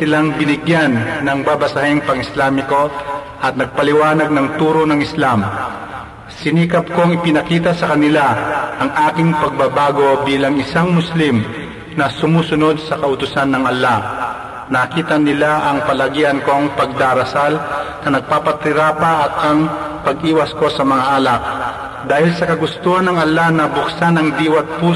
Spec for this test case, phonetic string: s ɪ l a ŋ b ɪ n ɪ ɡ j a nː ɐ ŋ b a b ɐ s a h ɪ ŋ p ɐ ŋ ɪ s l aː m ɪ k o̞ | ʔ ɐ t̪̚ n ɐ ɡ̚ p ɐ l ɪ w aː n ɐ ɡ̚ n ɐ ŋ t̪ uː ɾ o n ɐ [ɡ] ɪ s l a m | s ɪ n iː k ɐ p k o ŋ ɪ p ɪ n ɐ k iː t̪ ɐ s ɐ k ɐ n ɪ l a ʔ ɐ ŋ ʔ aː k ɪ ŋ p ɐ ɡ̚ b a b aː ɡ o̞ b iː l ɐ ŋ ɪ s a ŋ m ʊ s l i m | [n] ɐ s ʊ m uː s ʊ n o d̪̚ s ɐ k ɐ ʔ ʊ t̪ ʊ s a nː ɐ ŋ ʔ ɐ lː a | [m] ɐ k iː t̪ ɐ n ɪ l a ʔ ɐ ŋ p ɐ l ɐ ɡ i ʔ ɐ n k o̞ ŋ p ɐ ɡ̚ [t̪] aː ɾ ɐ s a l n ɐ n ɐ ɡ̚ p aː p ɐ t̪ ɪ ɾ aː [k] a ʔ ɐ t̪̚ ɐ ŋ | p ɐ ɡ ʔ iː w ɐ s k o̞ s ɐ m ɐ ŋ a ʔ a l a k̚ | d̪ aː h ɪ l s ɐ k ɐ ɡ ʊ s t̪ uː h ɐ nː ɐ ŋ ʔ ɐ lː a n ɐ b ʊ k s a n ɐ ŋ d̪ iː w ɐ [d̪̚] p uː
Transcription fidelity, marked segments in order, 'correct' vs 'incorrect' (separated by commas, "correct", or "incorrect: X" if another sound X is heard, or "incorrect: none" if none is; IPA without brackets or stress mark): incorrect: ŋ, correct, incorrect: n, incorrect: d̪, incorrect: p, incorrect: t̪̚